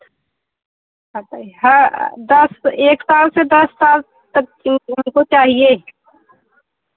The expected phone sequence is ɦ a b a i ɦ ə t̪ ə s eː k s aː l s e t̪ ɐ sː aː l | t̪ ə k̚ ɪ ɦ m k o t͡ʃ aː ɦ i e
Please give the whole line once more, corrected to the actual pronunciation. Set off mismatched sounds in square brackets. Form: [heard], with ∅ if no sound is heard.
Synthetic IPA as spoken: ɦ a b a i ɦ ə [d̪] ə s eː k s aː l s e [d̪] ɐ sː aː l | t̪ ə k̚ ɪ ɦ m k o t͡ʃ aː ɦ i e